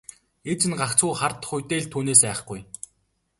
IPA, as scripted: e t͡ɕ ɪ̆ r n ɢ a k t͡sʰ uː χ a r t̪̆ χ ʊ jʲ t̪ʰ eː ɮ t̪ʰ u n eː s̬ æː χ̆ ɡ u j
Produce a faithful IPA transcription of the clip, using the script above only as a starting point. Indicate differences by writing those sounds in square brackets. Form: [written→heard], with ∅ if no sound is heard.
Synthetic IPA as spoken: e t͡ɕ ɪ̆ [r→∅] n ɢ a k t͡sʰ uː χ a r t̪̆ χ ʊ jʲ [t̪ʰ→t̪] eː ɮ t̪ʰ [u→uː] n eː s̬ æː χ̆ ɡ u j